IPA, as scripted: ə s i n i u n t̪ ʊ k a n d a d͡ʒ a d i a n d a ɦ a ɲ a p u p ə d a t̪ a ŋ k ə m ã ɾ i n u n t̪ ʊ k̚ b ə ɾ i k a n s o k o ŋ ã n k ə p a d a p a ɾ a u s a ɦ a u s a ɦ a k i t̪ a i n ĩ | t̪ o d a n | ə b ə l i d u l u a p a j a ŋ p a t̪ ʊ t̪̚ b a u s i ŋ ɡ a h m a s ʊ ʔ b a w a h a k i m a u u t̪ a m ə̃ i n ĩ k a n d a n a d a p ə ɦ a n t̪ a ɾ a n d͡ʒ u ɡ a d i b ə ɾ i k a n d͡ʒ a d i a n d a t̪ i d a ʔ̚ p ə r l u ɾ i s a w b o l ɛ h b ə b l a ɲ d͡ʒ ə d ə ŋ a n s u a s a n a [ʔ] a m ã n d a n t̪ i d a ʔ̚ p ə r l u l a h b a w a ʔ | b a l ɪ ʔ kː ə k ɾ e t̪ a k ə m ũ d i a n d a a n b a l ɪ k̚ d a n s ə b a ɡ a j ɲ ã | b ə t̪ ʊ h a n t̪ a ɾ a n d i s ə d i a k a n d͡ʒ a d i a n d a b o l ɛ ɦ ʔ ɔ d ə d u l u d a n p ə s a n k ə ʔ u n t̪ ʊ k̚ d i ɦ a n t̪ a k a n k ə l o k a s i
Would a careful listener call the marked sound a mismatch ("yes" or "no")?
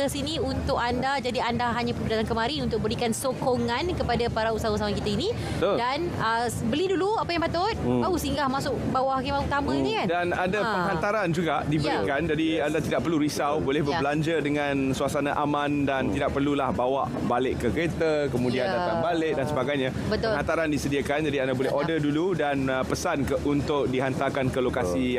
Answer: no